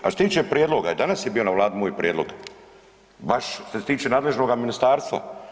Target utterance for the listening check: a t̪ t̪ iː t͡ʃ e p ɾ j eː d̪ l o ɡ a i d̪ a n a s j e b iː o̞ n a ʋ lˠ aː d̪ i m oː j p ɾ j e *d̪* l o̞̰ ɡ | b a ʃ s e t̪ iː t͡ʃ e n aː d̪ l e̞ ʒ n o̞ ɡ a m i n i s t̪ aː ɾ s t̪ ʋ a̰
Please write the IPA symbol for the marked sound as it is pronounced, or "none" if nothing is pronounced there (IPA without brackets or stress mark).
d̪